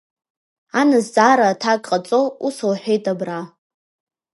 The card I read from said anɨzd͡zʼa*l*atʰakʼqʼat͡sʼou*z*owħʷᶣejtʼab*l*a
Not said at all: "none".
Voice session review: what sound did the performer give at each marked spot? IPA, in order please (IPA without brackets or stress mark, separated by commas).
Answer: ɾ, s, r